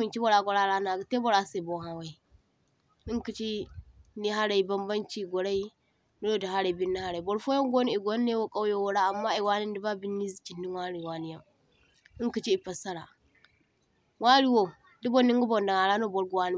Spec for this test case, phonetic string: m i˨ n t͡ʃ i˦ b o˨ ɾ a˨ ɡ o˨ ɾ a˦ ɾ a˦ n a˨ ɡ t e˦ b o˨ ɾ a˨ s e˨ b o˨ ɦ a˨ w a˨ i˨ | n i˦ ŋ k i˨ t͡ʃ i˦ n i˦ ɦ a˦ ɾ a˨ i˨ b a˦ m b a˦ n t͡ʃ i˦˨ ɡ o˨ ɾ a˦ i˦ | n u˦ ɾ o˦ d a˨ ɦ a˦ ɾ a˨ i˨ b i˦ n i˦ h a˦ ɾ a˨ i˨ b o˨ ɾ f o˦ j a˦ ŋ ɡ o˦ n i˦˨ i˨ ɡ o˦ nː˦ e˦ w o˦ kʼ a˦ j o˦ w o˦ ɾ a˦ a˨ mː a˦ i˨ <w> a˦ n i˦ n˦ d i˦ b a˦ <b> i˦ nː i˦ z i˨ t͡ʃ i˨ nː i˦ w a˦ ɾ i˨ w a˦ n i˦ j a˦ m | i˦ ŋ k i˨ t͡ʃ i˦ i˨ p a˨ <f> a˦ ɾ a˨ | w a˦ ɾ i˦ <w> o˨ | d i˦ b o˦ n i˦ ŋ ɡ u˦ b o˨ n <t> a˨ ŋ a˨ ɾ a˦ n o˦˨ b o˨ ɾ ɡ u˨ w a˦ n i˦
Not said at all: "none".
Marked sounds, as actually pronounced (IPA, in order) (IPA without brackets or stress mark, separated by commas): w, b, s, w, d